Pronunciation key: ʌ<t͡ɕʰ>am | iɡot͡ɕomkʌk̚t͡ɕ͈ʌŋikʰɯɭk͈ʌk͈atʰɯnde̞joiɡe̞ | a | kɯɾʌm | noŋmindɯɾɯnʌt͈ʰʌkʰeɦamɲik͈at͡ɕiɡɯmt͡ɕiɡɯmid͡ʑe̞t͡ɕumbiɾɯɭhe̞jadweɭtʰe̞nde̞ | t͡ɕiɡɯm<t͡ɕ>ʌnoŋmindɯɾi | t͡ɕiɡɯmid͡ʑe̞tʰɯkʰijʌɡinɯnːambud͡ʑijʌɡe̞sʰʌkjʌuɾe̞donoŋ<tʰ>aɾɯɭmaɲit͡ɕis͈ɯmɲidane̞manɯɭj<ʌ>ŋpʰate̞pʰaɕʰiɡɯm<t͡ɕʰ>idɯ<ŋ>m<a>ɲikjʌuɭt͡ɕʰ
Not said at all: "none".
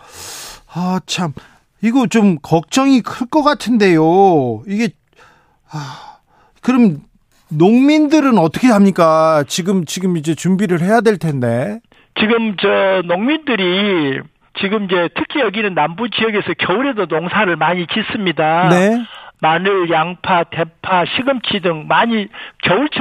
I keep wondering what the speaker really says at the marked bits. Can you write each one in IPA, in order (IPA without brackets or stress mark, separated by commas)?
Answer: t͡ɕʰ, t͡ɕ, sʰ, a, t͡ɕʰ, ŋ, a